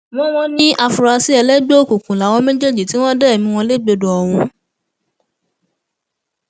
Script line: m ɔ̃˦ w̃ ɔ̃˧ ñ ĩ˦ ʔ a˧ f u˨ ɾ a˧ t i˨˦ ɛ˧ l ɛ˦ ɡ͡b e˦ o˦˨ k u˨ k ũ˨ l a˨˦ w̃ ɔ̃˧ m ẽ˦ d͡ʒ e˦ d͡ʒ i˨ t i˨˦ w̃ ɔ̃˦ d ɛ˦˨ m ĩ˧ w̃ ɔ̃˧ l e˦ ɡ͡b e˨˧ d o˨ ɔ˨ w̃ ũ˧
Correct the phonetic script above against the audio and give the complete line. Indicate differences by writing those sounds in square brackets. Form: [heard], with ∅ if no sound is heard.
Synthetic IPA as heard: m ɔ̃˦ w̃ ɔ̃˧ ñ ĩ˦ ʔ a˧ f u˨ ɾ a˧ [s] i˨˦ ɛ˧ l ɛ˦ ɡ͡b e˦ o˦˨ k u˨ k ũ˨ l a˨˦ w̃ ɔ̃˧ m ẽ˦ d͡ʒ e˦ d͡ʒ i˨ t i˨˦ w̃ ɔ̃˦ d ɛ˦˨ m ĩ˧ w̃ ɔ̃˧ l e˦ ɡ͡b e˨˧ d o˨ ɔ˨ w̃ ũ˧